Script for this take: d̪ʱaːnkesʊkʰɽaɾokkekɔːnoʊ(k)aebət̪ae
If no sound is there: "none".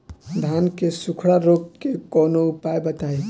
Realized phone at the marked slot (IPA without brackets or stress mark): p